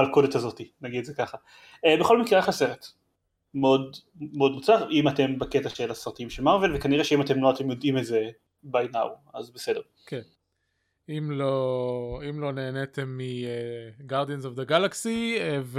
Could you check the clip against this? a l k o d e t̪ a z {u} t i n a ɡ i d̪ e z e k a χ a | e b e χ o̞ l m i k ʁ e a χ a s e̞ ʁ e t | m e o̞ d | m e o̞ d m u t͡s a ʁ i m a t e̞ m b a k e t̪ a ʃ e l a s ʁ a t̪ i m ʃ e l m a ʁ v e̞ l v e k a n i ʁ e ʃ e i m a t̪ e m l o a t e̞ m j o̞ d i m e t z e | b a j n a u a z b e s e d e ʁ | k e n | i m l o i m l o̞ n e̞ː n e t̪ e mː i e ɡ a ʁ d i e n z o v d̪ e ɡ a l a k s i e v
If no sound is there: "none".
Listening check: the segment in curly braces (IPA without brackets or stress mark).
o